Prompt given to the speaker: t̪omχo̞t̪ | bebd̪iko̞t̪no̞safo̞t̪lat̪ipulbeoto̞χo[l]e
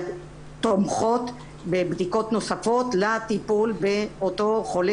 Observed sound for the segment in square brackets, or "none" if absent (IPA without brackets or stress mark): l